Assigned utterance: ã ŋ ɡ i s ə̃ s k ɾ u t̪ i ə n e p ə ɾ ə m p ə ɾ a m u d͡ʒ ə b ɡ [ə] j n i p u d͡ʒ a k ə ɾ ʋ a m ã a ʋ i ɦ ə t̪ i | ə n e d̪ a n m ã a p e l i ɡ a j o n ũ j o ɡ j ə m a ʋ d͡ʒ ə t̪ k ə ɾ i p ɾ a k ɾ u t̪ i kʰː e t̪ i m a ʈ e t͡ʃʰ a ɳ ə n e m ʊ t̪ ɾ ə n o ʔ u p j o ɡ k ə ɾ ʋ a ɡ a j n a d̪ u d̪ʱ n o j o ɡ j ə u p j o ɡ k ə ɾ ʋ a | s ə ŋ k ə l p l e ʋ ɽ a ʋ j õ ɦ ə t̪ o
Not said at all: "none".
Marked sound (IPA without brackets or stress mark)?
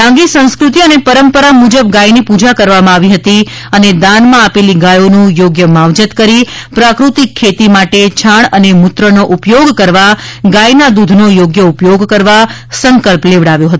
a